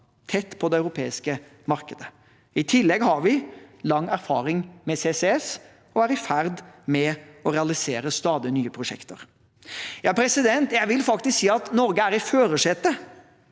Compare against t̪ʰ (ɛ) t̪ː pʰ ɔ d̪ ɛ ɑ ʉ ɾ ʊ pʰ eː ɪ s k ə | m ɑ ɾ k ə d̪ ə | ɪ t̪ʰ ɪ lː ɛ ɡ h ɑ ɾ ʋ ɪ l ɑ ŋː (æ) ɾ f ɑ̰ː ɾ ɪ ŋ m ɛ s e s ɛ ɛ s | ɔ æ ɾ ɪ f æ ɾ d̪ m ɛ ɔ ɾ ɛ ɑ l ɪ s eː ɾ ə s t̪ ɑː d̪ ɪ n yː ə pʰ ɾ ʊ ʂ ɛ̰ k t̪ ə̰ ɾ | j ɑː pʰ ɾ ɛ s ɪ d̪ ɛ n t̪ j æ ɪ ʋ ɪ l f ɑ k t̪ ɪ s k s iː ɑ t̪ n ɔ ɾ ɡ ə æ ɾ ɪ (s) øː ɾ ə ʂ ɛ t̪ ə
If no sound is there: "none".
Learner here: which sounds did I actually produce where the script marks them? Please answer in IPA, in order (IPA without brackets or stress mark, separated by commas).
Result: ɛ, æ, f